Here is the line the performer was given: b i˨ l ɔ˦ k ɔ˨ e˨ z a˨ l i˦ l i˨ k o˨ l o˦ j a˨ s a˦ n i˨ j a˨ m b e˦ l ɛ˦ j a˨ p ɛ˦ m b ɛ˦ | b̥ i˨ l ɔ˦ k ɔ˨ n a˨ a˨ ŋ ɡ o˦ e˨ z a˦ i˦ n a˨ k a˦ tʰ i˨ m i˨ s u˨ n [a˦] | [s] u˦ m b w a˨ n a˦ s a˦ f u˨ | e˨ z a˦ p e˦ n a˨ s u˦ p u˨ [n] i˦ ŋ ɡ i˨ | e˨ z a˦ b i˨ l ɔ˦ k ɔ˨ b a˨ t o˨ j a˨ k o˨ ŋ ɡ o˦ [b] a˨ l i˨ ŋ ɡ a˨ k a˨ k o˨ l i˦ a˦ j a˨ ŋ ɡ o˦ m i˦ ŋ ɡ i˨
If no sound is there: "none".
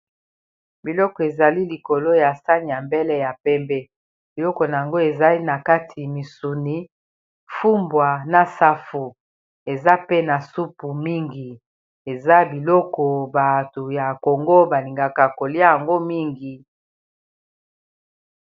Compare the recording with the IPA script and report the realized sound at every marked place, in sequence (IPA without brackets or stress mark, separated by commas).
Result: i˦, f, m, b